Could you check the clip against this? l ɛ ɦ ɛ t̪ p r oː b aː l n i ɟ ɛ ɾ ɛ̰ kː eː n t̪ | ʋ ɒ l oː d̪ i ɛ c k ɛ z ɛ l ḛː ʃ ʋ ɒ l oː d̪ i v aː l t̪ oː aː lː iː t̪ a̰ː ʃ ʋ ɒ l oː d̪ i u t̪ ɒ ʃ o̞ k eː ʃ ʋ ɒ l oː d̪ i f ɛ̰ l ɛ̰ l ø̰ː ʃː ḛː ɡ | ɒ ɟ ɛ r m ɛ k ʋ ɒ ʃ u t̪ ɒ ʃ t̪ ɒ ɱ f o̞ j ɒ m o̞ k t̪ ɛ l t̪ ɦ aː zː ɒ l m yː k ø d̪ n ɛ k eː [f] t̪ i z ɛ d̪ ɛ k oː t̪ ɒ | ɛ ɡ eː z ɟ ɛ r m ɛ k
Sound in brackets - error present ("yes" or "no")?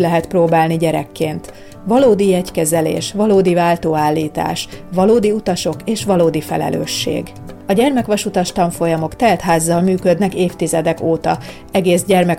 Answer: no